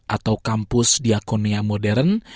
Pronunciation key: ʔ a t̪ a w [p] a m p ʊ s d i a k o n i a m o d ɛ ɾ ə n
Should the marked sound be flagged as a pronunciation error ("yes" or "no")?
yes